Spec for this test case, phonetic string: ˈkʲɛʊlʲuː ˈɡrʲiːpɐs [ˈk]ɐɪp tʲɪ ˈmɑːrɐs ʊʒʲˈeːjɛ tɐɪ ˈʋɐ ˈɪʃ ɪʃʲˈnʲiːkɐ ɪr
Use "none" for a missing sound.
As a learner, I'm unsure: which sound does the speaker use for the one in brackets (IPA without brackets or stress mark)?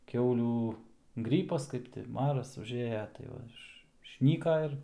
k